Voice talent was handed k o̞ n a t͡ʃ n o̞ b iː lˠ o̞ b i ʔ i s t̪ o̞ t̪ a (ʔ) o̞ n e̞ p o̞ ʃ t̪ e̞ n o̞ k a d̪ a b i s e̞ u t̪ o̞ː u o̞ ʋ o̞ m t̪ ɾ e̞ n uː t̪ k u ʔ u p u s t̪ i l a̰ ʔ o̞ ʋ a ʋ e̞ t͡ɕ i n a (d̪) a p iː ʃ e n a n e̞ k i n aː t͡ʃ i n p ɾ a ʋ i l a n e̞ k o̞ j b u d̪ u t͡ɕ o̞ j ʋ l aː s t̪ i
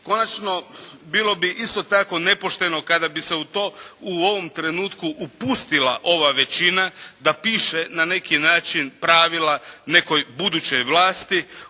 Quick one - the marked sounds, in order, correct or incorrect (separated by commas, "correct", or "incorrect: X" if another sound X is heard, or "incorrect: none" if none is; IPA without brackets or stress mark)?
incorrect: k, correct